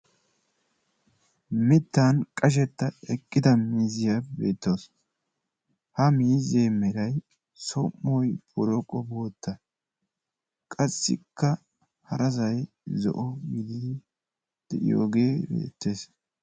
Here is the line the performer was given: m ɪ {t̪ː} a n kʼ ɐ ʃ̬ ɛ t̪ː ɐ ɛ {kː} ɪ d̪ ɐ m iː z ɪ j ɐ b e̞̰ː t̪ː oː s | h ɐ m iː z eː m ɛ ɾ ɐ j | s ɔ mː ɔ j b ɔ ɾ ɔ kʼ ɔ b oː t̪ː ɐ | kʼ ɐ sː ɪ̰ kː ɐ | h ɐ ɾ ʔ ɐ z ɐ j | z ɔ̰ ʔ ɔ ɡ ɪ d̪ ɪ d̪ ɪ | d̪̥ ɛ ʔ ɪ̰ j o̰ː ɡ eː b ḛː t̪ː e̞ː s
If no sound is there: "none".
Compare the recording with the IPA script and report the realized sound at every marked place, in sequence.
t̪ː, kʼː

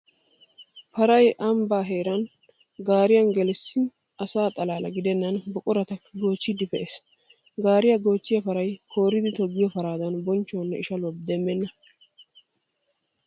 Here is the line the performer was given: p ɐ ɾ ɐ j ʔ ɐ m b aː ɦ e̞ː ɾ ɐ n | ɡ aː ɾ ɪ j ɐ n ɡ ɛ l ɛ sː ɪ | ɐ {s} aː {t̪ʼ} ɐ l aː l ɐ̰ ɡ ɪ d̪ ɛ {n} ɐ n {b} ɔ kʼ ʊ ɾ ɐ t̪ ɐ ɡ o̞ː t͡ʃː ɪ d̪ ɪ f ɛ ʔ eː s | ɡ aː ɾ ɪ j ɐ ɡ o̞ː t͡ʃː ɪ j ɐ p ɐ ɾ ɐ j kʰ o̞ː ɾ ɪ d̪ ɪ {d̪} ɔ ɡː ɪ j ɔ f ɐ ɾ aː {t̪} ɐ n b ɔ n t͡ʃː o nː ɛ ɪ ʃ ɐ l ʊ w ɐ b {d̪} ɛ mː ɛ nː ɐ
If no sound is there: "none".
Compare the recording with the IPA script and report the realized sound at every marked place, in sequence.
s, t̪ʼ, nː, b, t̪, d̪, d̪

